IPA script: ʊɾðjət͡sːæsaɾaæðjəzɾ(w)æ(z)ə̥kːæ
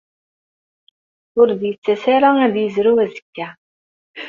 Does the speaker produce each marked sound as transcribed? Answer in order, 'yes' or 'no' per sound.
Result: no, yes

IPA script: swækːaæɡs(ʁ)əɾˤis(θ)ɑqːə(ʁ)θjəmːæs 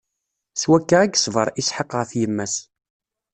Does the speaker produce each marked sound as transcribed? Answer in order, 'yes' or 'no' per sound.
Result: no, no, yes

